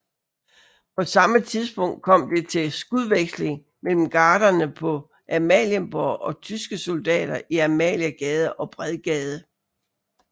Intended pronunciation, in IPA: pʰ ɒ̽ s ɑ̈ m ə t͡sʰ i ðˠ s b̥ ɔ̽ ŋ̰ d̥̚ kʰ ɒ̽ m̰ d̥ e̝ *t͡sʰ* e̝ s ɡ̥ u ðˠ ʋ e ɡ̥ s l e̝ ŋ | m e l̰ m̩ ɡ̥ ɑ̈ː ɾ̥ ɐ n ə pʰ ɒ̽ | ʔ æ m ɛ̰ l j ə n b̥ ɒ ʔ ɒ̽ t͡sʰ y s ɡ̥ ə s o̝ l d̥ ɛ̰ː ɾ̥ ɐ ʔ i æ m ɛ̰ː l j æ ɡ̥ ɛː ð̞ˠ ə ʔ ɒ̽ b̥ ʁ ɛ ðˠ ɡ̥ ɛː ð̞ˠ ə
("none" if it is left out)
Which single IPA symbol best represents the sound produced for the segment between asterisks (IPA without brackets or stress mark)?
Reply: t͡sʰ